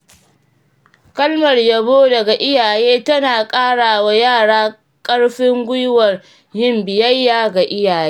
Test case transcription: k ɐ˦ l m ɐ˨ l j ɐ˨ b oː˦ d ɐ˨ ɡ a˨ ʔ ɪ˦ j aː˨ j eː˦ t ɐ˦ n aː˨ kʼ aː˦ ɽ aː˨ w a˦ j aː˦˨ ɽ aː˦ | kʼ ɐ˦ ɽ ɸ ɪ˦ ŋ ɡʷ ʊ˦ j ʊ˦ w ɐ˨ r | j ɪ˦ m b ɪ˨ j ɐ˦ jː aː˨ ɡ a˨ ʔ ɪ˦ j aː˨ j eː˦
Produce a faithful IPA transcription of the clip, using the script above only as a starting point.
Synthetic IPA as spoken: k ɐ˦ l m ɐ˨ r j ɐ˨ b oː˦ d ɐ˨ ɡ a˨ ʔ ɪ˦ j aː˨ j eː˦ t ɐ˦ n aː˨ kʼ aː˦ ɽ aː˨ w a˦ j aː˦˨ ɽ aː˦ | kʼ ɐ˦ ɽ ɸ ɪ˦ ŋ ɡʷ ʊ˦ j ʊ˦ w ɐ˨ r | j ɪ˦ m b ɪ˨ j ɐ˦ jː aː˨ ɡ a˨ ʔ ɪ˦ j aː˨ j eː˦